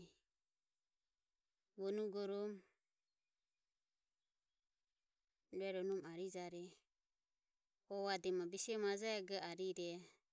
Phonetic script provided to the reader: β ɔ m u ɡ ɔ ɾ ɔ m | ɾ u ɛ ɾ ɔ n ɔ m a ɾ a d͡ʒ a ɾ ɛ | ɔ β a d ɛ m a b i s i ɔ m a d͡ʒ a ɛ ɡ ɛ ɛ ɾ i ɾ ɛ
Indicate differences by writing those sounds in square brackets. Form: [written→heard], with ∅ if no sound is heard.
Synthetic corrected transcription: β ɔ [m→n] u ɡ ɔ ɾ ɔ m | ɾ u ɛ ɾ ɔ n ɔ m a ɾ [a→i] d͡ʒ a ɾ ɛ | ɔ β a d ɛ m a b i s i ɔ m a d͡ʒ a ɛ ɡ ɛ [ɛ→a] ɾ i ɾ ɛ